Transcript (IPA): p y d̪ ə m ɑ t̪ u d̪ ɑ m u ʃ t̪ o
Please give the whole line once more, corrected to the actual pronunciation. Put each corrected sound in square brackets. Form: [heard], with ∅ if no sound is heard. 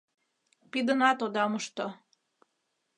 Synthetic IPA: p [i] d̪ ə [n] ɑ t̪ [o] d̪ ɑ m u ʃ t̪ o